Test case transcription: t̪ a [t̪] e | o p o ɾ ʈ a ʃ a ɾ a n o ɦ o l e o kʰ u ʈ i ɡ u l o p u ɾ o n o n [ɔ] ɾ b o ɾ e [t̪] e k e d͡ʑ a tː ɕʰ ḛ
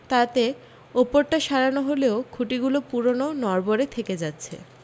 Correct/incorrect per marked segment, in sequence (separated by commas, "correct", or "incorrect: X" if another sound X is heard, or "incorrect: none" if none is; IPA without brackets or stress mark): correct, correct, incorrect: t̪ʰ